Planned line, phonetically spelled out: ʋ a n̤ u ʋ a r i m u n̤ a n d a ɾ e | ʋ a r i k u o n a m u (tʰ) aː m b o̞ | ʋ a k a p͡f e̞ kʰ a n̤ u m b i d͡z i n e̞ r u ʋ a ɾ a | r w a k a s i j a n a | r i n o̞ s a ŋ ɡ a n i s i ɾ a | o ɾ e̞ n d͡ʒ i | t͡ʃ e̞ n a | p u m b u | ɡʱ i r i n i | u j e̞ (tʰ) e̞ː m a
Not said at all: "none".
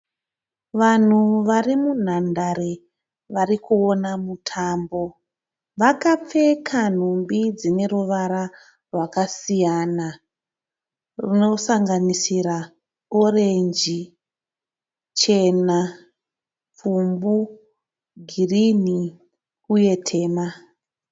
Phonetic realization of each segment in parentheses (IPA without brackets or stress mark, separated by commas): tʰ, tʰ